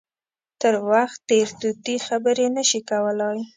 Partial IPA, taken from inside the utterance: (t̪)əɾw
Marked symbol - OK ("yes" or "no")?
yes